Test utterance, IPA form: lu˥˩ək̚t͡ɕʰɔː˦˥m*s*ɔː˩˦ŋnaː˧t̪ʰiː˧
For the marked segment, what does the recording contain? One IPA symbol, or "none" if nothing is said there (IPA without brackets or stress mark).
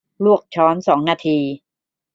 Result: s